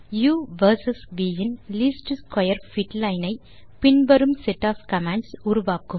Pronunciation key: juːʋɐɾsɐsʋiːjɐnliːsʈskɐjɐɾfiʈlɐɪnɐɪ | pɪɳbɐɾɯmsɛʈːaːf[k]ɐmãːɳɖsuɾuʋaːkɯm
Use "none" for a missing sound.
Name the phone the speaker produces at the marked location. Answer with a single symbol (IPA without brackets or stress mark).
k